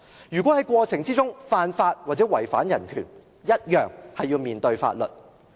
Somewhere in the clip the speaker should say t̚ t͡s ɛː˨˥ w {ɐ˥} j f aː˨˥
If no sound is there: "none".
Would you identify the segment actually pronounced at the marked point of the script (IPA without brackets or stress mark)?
ɐ˨˩